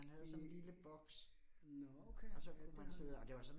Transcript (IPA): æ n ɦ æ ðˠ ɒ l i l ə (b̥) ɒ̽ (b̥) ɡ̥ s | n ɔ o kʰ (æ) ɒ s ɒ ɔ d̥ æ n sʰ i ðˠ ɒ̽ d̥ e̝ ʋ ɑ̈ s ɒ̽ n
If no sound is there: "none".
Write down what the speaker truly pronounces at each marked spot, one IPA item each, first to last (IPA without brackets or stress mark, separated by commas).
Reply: b̥, none, e